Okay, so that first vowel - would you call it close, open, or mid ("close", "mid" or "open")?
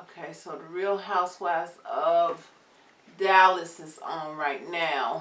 mid